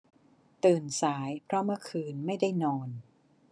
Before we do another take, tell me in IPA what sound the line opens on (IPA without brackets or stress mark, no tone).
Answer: t̪